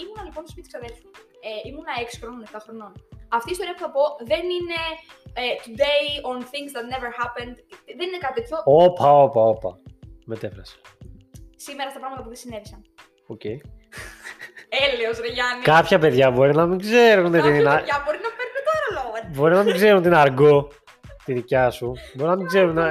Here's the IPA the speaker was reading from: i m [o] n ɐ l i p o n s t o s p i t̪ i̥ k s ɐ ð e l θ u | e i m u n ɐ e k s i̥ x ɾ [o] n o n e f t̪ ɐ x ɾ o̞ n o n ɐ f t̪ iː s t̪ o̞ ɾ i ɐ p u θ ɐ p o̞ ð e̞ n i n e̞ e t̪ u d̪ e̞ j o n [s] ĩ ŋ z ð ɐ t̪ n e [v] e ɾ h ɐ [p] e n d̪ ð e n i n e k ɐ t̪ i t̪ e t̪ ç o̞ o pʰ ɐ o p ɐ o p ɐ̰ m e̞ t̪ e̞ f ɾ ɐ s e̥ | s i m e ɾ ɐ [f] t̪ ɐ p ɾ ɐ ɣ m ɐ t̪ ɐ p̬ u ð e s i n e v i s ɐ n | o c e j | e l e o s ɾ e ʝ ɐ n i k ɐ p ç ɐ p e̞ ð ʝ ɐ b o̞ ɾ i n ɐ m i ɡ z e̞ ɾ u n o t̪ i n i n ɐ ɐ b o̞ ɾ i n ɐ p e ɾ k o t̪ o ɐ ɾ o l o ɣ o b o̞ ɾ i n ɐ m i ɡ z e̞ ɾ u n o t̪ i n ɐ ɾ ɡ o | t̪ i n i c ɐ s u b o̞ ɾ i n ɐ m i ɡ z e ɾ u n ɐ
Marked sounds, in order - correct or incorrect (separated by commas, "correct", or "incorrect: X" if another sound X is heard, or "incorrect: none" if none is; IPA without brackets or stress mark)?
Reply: incorrect: u, correct, incorrect: θ, correct, correct, incorrect: s